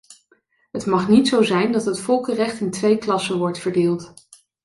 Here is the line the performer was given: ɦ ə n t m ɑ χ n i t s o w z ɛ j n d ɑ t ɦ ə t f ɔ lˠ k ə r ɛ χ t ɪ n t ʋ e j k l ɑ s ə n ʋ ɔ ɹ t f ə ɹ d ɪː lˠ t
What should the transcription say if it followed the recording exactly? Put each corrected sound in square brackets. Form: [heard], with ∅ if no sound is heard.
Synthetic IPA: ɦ ə [∅] t m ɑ χ n i t s o w z ɛ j n d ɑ t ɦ ə t f ɔ lˠ k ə r ɛ χ t ɪ n t ʋ e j k l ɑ s ə n ʋ ɔ ɹ t f ə ɹ d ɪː lˠ t